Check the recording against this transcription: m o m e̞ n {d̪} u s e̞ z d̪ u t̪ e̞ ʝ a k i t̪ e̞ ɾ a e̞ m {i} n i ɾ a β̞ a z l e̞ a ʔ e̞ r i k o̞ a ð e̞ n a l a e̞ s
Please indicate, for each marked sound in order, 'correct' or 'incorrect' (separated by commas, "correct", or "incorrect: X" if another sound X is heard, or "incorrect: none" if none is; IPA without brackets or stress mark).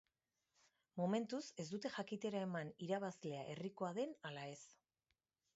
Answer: incorrect: t̪, incorrect: a